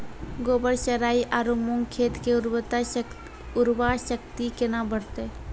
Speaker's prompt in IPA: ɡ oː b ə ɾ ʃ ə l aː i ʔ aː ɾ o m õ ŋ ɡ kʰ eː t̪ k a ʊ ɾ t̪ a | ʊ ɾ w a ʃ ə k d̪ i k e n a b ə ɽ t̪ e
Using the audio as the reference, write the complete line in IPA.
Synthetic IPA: ɡ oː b ə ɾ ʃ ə ɾ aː i ʔ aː ɾ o m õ ŋ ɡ kʰ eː t̪ k e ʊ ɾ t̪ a | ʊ ɾ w a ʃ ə k t̪ i k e n a b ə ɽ t̪ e